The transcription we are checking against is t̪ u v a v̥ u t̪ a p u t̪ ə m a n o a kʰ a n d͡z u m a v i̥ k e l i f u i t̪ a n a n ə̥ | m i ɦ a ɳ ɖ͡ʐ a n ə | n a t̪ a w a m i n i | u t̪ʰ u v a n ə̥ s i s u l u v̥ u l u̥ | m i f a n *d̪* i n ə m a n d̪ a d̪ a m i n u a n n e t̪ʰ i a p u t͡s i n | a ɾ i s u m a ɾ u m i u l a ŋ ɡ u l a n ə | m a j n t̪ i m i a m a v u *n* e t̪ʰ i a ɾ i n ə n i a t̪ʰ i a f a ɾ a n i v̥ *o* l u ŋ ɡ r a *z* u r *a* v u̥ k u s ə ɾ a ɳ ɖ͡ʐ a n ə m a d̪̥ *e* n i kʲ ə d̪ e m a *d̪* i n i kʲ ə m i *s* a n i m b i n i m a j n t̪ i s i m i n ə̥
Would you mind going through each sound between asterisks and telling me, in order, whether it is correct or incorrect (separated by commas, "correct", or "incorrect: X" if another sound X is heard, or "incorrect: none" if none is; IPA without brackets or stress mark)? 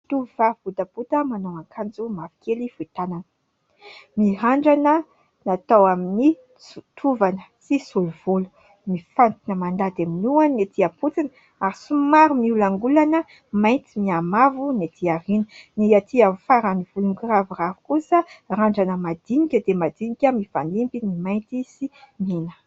incorrect: t̪, correct, incorrect: u, incorrect: v, correct, incorrect: i, correct, incorrect: f